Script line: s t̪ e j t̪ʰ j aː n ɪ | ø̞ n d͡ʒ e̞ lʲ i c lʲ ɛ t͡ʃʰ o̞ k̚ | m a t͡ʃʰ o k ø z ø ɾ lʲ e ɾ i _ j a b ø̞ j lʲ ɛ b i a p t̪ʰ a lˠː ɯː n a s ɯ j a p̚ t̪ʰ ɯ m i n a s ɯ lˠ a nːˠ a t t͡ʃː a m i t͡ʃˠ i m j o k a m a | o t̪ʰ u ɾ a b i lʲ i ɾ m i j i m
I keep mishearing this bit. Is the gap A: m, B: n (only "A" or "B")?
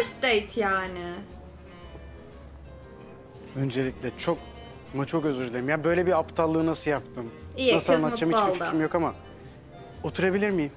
A